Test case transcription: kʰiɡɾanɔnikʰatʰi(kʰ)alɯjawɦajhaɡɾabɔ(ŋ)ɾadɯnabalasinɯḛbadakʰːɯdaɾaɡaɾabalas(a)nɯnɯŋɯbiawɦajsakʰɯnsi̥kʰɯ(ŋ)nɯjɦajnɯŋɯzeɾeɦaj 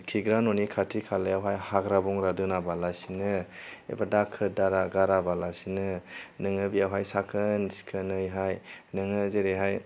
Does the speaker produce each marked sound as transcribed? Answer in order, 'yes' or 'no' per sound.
yes, yes, no, no

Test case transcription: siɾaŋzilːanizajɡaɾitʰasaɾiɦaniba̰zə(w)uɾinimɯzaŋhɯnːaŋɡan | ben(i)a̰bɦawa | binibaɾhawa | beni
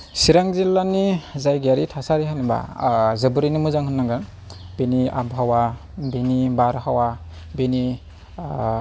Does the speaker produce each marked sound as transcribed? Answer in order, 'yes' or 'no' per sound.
no, yes

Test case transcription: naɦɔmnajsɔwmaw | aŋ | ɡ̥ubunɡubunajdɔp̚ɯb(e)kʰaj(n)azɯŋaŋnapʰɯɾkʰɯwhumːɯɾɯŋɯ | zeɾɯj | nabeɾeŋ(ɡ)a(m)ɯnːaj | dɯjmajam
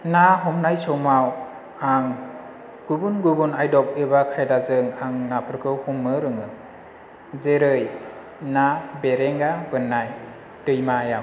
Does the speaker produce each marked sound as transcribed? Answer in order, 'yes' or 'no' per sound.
no, no, yes, no

